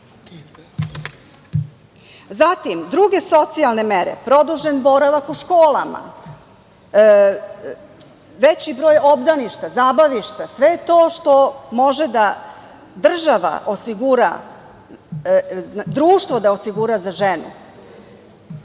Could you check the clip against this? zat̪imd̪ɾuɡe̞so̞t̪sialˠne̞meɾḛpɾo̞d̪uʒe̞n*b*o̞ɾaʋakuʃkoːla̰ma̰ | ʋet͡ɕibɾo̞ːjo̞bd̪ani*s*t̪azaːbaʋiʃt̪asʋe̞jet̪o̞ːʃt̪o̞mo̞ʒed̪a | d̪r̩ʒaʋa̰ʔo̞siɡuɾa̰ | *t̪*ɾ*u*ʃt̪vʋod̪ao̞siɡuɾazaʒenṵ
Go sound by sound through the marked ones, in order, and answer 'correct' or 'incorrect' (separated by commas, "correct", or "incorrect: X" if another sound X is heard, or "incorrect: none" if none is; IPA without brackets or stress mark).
correct, incorrect: ʃ, incorrect: d̪, incorrect: uː